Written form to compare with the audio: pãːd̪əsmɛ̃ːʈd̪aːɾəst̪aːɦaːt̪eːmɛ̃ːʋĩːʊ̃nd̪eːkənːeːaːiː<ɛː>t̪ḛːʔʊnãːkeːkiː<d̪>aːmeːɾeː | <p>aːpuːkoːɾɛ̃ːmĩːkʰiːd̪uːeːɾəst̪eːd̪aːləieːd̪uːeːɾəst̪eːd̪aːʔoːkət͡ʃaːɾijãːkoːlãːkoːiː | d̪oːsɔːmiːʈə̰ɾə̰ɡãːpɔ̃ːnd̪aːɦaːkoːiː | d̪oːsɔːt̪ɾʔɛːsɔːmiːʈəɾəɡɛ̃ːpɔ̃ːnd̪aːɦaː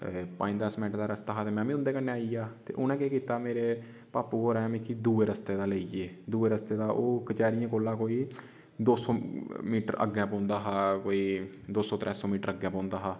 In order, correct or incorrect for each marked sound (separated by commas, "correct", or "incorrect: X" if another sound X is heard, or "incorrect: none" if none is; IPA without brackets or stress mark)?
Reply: incorrect: aː, incorrect: t̪, correct